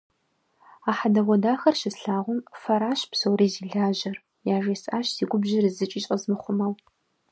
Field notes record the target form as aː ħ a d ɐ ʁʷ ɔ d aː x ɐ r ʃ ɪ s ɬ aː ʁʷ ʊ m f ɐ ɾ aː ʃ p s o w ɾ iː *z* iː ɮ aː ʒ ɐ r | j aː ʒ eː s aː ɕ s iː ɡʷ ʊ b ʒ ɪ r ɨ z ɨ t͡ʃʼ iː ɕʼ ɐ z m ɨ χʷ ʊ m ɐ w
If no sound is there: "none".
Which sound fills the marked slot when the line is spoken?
z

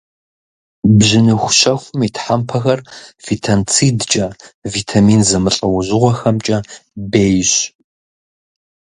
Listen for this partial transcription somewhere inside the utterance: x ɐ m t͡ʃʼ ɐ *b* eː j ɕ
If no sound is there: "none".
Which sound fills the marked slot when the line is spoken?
b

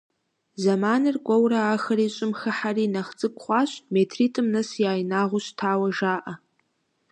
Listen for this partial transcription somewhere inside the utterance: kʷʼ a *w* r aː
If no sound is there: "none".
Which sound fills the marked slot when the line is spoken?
w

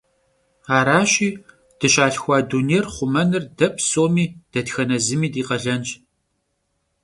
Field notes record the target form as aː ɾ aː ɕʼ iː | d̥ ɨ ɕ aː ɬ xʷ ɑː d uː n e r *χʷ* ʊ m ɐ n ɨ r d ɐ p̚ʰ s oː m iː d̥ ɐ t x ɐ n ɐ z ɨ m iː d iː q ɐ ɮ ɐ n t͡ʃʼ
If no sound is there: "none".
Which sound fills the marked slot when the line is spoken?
χʷ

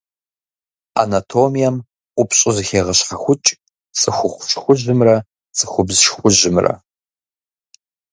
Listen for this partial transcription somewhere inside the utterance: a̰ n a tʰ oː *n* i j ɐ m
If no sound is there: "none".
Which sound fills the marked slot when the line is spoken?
m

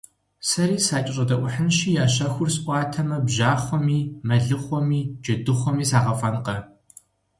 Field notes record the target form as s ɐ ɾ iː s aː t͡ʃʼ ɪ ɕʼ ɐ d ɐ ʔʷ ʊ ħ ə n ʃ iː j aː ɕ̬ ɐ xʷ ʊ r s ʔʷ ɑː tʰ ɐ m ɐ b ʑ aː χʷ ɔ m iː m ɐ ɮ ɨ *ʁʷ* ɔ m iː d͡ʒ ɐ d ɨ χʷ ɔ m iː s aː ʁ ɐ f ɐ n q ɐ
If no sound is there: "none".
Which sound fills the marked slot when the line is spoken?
χʷ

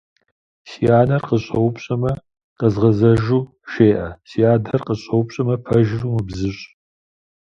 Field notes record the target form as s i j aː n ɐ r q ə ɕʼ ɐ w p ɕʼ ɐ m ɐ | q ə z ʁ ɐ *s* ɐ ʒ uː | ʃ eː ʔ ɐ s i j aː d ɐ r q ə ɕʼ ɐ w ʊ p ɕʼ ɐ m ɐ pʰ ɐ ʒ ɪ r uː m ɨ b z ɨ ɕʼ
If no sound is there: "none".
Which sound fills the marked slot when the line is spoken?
z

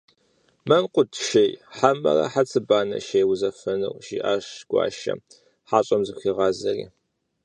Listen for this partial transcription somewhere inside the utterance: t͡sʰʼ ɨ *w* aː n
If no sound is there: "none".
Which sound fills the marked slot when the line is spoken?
b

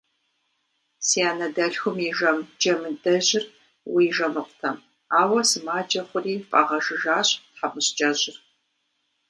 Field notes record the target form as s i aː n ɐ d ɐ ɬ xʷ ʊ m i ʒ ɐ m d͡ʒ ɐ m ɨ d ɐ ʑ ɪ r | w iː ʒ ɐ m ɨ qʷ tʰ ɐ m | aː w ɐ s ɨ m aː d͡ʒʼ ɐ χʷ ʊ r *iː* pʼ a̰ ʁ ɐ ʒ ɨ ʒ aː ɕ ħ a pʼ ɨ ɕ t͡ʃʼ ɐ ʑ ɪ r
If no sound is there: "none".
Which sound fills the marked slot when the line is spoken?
iː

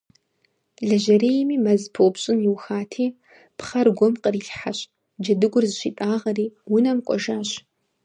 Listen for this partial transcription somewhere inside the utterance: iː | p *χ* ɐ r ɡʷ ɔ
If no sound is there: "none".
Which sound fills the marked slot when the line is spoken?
χ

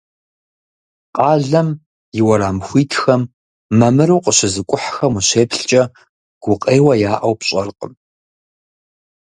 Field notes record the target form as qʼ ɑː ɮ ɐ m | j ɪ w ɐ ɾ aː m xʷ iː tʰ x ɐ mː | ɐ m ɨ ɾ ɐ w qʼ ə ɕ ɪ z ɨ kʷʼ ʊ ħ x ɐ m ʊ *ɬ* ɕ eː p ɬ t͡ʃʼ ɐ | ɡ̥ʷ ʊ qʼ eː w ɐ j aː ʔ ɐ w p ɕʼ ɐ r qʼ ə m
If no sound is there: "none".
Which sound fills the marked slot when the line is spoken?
none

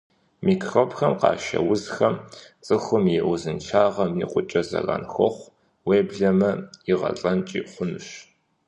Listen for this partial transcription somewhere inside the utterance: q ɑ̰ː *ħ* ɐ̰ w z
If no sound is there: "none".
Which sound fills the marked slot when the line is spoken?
ʃ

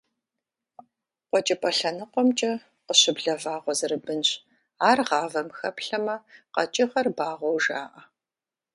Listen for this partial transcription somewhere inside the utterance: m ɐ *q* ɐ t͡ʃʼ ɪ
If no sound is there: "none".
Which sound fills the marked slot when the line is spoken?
q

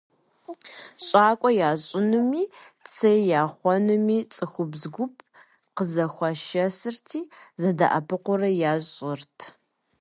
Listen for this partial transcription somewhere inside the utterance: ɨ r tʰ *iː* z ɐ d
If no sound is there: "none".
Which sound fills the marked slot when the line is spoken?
iː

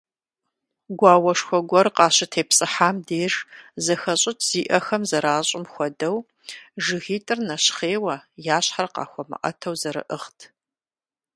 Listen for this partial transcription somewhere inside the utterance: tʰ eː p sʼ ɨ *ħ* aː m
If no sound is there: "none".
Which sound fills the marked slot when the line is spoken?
ħ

